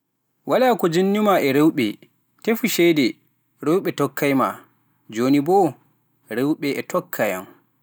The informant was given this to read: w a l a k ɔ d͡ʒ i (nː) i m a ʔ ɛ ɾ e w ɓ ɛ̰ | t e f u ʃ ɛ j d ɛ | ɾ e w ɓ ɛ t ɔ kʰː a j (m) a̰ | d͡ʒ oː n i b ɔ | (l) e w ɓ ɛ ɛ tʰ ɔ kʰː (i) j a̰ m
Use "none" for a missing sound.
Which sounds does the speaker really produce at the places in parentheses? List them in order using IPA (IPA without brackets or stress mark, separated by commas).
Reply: nː, m, ɾ, a